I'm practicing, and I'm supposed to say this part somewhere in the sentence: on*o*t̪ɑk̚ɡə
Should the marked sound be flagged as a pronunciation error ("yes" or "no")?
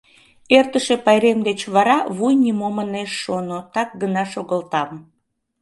no